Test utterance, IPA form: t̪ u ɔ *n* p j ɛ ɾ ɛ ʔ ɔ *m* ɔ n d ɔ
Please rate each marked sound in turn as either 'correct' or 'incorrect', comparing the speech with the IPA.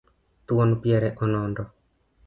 correct, incorrect: n

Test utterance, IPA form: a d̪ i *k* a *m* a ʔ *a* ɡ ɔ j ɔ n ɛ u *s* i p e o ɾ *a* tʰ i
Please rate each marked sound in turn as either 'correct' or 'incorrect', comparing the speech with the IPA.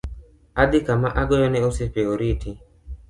correct, correct, correct, correct, incorrect: i

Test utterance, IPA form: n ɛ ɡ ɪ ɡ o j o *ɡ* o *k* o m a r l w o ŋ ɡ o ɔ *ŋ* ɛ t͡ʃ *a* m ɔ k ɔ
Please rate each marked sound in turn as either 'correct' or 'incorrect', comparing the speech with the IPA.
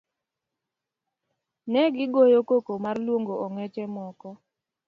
incorrect: k, correct, correct, incorrect: ɛ

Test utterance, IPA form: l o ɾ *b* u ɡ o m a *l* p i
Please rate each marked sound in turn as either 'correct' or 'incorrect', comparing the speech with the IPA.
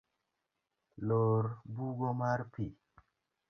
correct, incorrect: ɾ

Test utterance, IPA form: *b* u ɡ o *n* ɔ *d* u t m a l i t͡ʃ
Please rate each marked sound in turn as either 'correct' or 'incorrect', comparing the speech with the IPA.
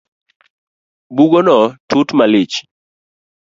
correct, correct, incorrect: t

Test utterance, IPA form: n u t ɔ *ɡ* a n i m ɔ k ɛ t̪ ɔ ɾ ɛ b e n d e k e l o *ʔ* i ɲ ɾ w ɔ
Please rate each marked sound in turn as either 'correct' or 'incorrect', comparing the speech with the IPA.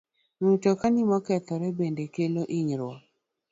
incorrect: k, correct

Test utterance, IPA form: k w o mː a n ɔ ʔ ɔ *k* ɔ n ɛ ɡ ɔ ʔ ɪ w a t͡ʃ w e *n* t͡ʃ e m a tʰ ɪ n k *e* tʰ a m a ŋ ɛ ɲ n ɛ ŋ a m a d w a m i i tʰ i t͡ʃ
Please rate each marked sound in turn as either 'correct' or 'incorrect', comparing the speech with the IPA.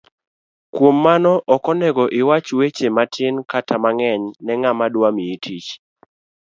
correct, incorrect: none, incorrect: a

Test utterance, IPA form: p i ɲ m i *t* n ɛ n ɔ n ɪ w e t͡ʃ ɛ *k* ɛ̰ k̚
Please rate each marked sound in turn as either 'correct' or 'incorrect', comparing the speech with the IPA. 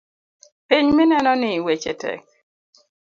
incorrect: none, incorrect: t

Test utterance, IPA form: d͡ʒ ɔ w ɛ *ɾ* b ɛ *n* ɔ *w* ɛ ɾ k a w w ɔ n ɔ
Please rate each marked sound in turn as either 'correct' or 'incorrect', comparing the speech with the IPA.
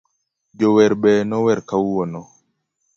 correct, correct, correct

